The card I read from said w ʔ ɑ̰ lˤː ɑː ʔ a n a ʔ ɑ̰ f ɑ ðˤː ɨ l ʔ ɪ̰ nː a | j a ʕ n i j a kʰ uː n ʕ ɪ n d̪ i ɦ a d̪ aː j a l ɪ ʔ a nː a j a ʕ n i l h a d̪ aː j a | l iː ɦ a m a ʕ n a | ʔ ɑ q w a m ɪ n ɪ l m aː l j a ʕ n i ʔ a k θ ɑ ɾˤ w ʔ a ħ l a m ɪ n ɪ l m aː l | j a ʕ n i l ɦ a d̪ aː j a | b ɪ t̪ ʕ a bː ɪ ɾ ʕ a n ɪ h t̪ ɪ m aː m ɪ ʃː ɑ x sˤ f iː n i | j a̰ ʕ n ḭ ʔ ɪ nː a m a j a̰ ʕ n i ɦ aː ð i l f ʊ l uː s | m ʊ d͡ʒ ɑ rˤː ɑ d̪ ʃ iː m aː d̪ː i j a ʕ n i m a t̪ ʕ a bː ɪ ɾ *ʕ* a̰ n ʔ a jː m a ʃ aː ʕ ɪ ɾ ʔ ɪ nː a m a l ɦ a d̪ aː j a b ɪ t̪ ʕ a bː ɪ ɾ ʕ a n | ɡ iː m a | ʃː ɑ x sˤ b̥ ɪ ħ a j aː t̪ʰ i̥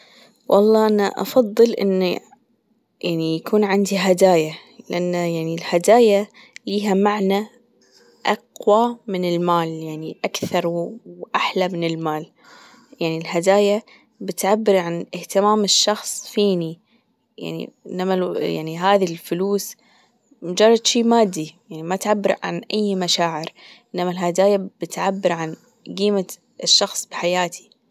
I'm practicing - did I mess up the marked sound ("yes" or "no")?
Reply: no